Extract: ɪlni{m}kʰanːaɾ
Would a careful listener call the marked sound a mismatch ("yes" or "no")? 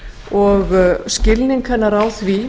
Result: yes